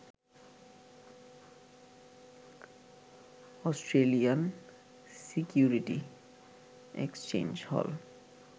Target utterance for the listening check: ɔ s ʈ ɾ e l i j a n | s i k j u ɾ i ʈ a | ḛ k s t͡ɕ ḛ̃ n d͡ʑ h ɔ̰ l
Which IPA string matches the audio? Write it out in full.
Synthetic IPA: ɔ s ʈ ɾ e l i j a n | s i k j u ɾ i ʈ i | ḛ k s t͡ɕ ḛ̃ n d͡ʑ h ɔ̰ l

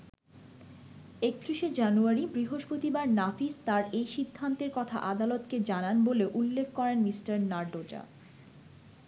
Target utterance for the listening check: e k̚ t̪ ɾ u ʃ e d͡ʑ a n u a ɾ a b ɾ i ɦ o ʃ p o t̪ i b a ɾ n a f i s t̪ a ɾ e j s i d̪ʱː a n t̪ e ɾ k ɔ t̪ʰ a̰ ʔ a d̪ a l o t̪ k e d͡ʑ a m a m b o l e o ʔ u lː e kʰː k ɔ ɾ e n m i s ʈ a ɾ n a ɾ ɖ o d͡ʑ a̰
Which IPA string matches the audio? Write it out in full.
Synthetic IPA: e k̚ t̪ ɾ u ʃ e d͡ʑ a n u a ɾ i b ɾ i ɦ o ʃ p o t̪ i b a ɾ n a f i s t̪ a ɾ e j ʃ i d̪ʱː a n t̪ e ɾ k ɔ t̪ʰ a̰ ʔ a d̪ a l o t̪ k e d͡ʑ a n a n b o l e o ʔ u lː e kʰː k ɔ ɾ e n m i s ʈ a ɾ n a ɾ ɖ o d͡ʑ a̰

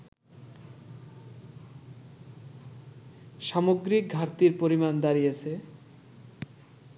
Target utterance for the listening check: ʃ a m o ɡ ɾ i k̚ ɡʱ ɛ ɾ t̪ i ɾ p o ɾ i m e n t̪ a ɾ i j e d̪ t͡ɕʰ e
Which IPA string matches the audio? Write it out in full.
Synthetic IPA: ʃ a m o ɡ ɾ i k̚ ɡʱ a ɾ t̪ i ɾ p o ɾ i m a n d̪ a ɾ i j e t͡ɕʰ e

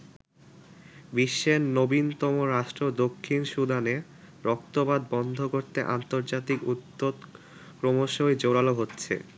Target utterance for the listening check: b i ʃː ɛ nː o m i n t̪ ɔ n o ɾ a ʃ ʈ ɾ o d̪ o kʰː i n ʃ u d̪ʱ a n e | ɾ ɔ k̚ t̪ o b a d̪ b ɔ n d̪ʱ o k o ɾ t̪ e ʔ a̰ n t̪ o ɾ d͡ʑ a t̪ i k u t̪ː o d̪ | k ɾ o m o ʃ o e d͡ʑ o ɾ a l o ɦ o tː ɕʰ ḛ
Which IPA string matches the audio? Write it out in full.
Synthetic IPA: b i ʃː e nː o b i n t̪ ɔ m o ɾ a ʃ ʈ ɾ o d̪ o kʰː i n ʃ u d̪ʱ a n e | ɾ ɔ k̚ t̪ o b a d̪ b ɔ n d̪ʱ o k o ɾ t̪ e ʔ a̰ n t̪ o ɾ d͡ʑ a t̪ i k u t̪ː o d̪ | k ɾ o m o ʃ o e d͡ʑ o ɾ a l o ɦ o tː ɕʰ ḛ

